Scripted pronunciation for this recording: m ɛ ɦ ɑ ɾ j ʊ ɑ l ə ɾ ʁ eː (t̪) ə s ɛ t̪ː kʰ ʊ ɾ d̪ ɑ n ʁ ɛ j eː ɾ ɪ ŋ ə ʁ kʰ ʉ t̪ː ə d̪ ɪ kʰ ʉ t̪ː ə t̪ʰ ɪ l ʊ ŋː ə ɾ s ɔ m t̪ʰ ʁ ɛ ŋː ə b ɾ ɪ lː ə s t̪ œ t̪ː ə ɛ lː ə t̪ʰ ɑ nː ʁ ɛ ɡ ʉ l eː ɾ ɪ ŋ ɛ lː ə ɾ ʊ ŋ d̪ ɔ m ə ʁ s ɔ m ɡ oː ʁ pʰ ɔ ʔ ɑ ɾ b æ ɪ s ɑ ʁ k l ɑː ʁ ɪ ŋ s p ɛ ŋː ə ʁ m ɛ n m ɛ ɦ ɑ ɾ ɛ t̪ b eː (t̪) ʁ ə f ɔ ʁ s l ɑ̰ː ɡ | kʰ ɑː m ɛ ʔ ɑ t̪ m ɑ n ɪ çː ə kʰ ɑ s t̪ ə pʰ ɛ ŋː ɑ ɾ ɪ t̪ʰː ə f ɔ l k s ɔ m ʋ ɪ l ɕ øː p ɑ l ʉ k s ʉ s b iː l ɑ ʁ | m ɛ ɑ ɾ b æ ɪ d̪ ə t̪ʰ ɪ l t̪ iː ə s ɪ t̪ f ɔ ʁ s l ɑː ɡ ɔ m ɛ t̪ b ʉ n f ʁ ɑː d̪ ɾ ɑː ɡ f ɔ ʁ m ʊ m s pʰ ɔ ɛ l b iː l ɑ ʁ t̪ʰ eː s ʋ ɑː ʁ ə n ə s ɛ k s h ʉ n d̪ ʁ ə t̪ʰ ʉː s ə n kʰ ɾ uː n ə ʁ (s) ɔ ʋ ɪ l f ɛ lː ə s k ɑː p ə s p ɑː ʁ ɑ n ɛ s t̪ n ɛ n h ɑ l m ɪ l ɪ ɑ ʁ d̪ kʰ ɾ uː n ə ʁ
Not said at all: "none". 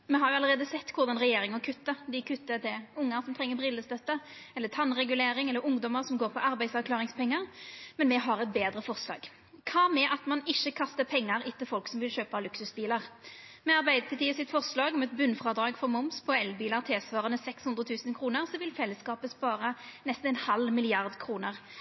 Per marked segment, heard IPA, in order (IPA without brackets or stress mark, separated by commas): d̪, d̪, s